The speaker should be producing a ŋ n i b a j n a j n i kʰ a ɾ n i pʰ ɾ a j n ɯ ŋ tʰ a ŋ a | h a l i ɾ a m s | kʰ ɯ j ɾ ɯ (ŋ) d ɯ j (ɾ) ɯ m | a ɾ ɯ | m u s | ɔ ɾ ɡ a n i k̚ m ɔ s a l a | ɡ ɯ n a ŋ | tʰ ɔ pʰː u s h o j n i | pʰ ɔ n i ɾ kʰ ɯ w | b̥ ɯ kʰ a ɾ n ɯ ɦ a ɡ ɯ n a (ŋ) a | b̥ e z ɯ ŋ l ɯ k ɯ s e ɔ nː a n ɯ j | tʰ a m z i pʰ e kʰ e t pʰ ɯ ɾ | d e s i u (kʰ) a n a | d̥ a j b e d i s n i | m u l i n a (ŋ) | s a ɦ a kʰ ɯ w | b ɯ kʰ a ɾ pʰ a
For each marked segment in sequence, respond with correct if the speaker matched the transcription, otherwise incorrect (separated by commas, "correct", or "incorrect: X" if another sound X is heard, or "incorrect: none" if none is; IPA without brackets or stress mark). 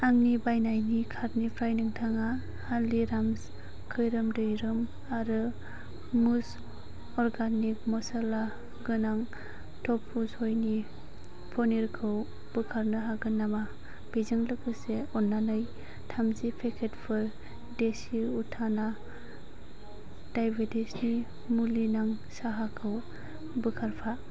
incorrect: m, correct, incorrect: m, incorrect: tʰ, correct